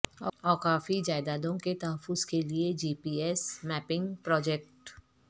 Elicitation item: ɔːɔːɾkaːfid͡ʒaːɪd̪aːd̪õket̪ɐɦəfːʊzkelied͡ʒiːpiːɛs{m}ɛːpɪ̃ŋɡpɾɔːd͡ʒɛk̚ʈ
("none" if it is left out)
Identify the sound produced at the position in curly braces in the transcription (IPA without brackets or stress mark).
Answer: m